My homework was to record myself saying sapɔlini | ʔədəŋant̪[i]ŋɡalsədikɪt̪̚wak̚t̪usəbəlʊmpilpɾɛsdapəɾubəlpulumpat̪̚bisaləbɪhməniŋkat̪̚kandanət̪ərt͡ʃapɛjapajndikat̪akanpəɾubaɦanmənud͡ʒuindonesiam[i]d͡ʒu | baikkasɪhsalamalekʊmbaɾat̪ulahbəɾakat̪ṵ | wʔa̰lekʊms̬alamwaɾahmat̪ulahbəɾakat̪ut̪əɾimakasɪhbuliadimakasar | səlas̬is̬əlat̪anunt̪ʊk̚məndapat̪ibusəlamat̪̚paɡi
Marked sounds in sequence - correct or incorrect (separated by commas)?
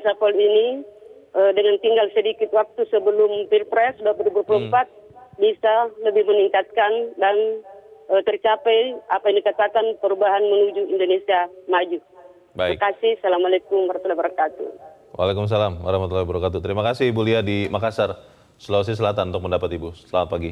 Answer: correct, incorrect